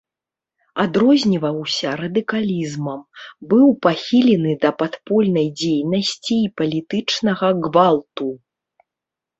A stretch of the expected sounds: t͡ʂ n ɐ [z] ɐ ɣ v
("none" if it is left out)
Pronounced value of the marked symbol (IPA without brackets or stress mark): ɣ